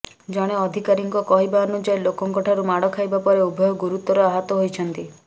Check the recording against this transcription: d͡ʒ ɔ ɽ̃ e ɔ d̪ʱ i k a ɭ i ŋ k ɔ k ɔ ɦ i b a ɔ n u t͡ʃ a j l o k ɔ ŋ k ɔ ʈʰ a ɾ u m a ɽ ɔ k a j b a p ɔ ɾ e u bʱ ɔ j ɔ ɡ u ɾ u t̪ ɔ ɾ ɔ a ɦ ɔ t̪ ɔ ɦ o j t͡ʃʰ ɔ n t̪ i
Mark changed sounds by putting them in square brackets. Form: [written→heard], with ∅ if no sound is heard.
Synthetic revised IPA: d͡ʒ ɔ ɽ̃ e ɔ d̪ʱ i k a [ɭ→ɾ] i ŋ k ɔ k ɔ ɦ i b a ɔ n u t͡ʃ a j l o k ɔ ŋ k ɔ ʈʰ a ɾ u m a ɽ ɔ [k→kʰ] a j b a p ɔ ɾ e u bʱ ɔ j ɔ ɡ u ɾ u t̪ ɔ ɾ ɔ a ɦ ɔ t̪ ɔ ɦ o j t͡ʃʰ ɔ n t̪ i

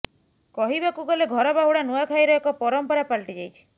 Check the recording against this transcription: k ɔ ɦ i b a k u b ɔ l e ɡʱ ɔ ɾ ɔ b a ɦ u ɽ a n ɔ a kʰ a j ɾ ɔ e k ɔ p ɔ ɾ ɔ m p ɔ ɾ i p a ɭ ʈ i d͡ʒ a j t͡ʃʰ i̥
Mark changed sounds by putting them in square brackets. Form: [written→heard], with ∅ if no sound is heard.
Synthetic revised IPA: k ɔ ɦ i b a k u [b→ɡ] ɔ l e ɡʱ ɔ ɾ ɔ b a ɦ u ɽ a n [ɔ→u] a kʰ a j ɾ ɔ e k ɔ p ɔ ɾ ɔ m p ɔ ɾ [i→a] p a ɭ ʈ i d͡ʒ a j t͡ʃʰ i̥

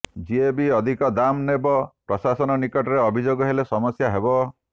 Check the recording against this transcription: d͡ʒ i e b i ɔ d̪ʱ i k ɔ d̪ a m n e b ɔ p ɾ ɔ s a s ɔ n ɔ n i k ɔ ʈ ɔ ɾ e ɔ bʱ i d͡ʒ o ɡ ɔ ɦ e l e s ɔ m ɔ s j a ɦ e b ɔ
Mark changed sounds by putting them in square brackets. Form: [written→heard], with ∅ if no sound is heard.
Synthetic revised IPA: d͡ʒ i e b i ɔ d̪ʱ i k ɔ d̪ a m n e b ɔ p ɾ ɔ s a s ɔ n ɔ n i k ɔ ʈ ɔ ɾ e ɔ bʱ i d͡ʒ o ɡ ɔ ɦ e l e s ɔ m ɔ s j a ɦ e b ɔ

